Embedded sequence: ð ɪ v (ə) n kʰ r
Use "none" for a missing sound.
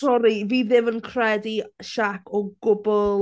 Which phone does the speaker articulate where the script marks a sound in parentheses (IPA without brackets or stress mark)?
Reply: ə